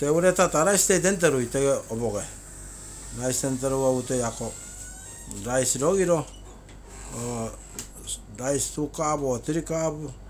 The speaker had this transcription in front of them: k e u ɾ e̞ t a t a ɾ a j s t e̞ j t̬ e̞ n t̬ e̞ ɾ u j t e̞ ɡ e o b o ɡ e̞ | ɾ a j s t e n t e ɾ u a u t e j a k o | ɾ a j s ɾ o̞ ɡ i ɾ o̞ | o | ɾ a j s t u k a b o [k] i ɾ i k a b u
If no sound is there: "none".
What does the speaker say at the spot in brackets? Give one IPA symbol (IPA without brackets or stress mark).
t